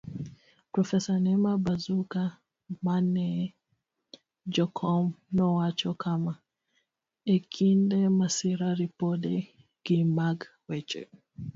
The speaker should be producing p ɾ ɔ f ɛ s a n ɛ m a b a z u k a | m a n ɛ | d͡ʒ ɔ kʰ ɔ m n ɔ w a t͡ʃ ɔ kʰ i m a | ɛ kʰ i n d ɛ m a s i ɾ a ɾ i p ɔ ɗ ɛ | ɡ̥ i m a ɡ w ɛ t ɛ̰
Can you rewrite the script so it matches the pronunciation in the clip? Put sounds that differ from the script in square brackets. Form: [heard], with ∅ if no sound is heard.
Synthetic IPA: p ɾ ɔ f ɛ s a n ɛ m a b a z u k a | m a n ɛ | d͡ʒ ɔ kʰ ɔ m n ɔ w a t͡ʃ ɔ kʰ [a] m a | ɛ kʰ i n d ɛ m a s i ɾ a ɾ i p ɔ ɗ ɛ | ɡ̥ i m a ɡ w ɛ [t͡ʃ] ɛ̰